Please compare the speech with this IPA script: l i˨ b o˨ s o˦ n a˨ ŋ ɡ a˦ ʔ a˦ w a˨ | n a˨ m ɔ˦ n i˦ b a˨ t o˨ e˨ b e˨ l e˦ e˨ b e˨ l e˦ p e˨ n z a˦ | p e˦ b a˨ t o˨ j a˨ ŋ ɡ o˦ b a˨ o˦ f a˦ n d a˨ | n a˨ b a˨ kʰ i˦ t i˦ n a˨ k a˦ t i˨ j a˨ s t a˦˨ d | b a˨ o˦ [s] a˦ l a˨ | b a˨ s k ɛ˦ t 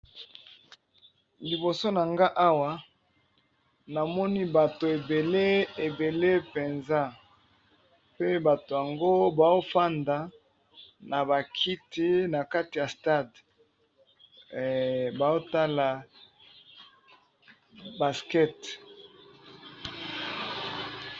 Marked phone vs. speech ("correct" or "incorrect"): incorrect